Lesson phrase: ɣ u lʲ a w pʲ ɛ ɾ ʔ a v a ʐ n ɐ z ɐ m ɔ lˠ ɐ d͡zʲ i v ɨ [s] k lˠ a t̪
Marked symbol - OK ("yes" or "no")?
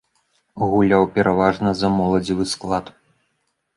yes